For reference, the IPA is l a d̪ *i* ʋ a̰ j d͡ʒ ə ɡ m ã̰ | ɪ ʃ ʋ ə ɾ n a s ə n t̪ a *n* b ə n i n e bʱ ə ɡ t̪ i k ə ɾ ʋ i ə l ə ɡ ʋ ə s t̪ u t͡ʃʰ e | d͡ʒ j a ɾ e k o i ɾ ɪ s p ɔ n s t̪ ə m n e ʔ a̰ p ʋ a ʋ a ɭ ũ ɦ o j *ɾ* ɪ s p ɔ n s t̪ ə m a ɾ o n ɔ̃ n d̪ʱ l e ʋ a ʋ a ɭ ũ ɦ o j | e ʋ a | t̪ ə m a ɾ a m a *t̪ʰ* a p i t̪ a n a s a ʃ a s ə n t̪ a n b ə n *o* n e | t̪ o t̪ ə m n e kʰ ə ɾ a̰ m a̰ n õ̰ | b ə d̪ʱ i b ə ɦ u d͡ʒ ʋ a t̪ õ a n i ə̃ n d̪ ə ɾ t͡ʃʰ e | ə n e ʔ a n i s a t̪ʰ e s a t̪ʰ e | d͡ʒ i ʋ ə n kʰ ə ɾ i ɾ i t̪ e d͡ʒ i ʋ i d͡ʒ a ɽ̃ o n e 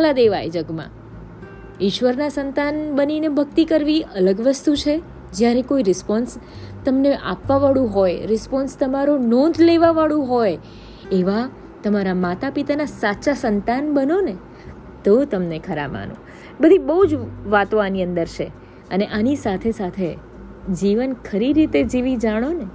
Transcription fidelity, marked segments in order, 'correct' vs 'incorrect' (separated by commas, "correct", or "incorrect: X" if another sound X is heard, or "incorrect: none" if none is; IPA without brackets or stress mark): incorrect: e, correct, correct, incorrect: t̪, correct